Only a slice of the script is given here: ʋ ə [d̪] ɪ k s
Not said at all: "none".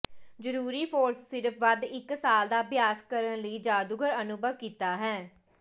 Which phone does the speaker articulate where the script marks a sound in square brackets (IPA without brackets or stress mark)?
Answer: d̪